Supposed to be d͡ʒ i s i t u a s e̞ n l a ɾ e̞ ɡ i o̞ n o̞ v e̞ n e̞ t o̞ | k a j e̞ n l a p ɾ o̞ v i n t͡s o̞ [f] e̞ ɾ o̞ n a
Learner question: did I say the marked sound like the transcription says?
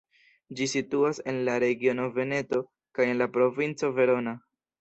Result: no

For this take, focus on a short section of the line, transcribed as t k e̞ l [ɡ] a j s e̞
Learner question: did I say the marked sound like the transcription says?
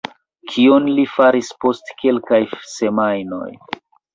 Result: no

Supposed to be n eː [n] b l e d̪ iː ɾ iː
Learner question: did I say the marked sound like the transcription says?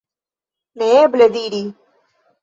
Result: no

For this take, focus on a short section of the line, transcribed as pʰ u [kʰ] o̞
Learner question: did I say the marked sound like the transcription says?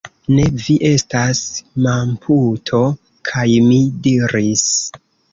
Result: no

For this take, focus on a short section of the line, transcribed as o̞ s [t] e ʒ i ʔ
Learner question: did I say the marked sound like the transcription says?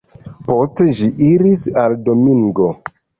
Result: yes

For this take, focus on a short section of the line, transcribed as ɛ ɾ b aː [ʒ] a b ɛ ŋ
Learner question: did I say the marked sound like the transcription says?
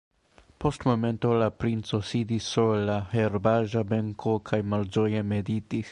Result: yes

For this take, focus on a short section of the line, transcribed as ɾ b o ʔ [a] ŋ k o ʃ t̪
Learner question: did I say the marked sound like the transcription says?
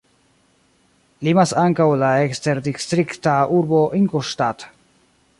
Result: no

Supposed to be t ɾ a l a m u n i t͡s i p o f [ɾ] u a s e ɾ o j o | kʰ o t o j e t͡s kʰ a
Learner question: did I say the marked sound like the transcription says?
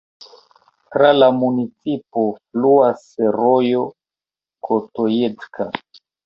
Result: no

